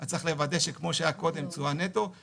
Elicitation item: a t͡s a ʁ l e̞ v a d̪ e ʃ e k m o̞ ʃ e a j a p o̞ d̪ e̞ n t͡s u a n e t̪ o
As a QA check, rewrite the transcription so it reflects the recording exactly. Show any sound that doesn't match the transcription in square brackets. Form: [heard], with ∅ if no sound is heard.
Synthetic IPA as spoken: a t͡s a [χ] l e̞ v a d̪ e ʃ e k m o̞ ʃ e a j a [k] o̞ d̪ e̞ [m] t͡s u a n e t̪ o